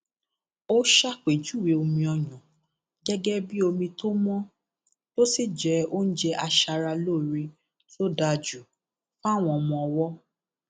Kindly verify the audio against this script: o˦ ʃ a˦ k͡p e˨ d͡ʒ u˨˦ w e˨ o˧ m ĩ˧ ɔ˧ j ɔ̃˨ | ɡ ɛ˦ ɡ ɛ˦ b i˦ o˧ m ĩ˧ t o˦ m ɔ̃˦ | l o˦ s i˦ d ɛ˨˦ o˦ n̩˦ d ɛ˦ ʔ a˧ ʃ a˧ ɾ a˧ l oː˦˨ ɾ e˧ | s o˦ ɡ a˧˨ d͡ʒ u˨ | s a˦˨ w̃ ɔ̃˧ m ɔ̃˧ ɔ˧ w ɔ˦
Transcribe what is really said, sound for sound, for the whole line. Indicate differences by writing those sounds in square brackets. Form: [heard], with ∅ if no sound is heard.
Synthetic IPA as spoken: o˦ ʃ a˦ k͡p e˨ d͡ʒ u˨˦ w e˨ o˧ m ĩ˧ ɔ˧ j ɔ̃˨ | ɡ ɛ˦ ɡ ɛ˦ b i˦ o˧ m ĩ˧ t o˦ m ɔ̃˦ | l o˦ s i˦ [d͡ʒ] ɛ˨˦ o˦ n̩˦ [d͡ʒ] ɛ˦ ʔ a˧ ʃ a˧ ɾ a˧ l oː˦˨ ɾ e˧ | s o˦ [d] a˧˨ d͡ʒ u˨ | [f] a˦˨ w̃ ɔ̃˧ m ɔ̃˧ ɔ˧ w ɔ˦

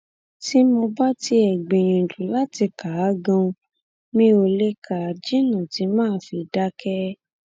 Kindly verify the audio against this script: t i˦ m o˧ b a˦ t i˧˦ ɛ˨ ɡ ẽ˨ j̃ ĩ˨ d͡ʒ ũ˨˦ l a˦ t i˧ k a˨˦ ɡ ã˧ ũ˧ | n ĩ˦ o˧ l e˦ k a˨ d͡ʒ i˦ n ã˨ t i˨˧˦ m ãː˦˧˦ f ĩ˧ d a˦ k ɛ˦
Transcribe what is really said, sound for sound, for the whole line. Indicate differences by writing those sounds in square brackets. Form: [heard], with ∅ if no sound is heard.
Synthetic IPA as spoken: t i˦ m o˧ b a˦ t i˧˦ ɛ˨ [ɡ͡b] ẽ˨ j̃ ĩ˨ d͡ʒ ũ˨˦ l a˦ t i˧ k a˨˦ ɡ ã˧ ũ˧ | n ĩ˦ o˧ l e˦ k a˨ d͡ʒ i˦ n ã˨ t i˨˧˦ m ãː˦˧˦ f [i˧] d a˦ k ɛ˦

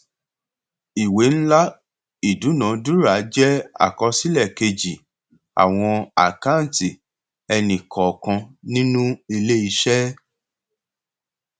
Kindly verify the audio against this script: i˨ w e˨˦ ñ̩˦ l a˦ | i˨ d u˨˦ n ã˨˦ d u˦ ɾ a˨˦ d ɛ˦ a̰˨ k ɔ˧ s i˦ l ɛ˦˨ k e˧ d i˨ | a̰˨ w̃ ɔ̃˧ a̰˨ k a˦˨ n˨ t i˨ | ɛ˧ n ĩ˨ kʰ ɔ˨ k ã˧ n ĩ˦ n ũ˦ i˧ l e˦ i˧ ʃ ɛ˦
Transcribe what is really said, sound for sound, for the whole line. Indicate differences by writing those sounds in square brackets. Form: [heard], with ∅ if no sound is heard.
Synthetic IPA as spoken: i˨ w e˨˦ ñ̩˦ l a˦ | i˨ d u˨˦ n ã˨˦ d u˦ ɾ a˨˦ [d͡ʒ] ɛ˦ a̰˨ k ɔ˧ s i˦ l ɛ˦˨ k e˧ [d͡ʒ] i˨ | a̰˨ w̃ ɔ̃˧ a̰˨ k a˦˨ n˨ t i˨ | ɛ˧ n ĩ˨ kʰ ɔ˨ k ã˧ n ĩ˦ n ũ˦ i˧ l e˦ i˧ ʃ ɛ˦

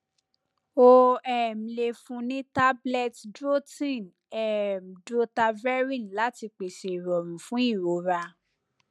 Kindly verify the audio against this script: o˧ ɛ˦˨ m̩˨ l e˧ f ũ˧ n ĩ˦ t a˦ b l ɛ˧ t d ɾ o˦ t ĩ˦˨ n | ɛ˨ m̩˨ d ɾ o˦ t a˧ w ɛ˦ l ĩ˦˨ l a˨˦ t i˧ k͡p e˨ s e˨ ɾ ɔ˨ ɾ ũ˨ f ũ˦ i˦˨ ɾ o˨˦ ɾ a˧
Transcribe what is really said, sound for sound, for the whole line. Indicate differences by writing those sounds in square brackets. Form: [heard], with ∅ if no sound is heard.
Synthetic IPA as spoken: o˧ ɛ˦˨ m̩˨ l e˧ f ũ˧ n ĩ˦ t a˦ b l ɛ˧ t d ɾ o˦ t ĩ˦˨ n | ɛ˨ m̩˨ d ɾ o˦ t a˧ [v] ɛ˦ [ɾ] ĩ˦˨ l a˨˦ t i˧ k͡p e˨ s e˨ ɾ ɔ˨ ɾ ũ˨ f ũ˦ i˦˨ ɾ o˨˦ ɾ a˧

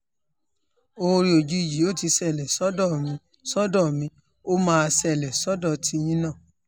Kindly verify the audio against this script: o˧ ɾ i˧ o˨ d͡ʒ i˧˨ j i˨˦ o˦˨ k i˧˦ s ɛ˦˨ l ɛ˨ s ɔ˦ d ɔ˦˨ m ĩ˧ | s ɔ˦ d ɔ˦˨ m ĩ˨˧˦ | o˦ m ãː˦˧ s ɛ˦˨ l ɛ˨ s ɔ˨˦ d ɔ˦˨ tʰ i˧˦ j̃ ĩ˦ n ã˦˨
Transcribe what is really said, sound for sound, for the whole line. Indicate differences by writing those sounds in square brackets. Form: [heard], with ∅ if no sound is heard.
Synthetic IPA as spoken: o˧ ɾ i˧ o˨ d͡ʒ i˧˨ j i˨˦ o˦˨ [t] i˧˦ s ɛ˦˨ l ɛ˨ s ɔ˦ d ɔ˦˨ m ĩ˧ | s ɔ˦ d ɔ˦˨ m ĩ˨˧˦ | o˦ m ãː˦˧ s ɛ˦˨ l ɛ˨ s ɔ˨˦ d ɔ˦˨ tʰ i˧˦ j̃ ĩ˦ n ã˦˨

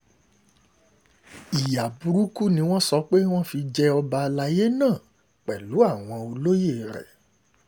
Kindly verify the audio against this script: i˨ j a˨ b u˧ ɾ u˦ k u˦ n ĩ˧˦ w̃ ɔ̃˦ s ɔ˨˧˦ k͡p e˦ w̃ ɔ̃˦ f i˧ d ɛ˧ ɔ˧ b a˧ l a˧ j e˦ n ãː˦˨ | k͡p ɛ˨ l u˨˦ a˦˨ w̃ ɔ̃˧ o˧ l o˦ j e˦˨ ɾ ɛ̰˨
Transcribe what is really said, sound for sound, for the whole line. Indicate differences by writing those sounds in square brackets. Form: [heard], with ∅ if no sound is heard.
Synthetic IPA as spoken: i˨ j a˨ b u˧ ɾ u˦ k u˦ n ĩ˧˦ w̃ ɔ̃˦ s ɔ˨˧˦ k͡p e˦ w̃ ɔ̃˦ f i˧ [d͡ʒ] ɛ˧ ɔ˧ b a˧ l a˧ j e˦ n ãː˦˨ | k͡p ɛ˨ l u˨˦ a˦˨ w̃ ɔ̃˧ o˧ l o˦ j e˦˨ ɾ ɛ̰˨

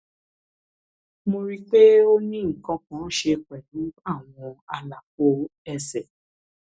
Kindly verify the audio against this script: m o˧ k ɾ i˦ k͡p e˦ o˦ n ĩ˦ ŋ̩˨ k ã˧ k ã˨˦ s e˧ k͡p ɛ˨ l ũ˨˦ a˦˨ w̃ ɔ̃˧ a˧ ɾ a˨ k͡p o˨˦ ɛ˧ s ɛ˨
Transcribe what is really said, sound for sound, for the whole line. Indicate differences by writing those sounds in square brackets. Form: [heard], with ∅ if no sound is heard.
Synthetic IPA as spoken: m o˧ [∅] ɾ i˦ k͡p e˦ o˦ n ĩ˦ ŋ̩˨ k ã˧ k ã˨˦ [ʃ] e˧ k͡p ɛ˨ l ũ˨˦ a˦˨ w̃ ɔ̃˧ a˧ [l] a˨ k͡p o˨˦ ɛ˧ s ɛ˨

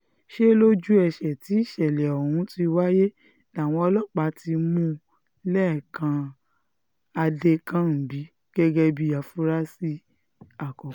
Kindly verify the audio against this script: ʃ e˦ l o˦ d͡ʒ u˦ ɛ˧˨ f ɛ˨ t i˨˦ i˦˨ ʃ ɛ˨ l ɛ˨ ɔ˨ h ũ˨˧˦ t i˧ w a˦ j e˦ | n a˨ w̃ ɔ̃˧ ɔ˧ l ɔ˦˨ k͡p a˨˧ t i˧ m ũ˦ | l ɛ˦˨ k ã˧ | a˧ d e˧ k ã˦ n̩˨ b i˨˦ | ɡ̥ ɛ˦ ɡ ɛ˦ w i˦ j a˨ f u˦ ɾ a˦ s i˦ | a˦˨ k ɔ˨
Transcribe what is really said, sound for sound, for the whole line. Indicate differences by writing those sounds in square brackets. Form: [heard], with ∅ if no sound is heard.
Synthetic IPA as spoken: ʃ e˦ l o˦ d͡ʒ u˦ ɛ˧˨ [ʃ] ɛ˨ t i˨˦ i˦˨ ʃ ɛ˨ l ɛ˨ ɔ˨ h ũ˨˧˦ t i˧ w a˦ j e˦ | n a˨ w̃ ɔ̃˧ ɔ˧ l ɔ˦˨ k͡p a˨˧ t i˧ m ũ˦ | l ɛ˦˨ k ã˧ | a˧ d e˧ k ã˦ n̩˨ b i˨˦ | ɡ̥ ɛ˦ ɡ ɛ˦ [b] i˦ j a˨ f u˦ ɾ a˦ s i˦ | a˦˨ k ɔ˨

